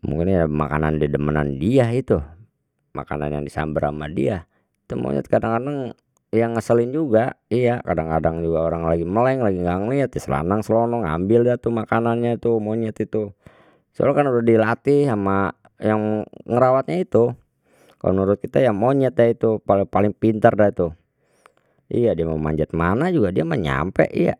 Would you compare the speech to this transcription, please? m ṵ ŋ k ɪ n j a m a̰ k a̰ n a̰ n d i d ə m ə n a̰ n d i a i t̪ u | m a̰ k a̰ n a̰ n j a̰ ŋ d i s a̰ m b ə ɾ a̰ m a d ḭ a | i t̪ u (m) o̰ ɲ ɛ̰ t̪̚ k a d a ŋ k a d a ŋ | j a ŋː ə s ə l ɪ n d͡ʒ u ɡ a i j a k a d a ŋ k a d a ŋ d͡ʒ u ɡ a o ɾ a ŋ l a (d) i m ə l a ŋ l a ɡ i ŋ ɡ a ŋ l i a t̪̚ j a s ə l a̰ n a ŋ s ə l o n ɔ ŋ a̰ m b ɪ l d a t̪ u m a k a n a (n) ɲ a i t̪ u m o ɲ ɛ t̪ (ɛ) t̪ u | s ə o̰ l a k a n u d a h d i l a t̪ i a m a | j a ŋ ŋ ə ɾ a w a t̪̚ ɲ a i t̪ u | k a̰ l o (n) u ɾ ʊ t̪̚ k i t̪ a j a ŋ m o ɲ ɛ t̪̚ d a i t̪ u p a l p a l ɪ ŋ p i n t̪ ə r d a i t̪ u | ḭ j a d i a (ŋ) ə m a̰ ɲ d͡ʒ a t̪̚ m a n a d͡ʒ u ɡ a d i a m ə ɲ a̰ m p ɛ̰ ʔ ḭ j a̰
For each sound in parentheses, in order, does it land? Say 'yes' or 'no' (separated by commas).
yes, no, yes, no, yes, no